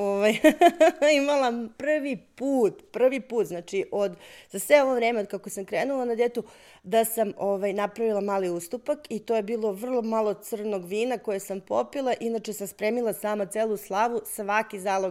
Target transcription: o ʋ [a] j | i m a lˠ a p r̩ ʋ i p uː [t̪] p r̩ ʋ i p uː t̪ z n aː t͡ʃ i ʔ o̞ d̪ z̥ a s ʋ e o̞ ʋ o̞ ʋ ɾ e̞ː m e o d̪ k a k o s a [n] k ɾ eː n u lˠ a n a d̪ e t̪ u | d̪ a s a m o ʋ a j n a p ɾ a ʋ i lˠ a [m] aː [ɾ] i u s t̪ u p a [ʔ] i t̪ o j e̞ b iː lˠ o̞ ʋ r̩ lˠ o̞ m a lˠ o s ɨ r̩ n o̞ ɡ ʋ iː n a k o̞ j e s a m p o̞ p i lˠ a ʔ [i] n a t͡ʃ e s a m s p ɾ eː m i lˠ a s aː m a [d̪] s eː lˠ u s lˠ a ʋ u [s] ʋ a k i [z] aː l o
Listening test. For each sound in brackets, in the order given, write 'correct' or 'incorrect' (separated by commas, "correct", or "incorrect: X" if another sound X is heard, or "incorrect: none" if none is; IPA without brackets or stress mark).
correct, correct, incorrect: m, correct, incorrect: l, incorrect: k, correct, incorrect: t̪, correct, correct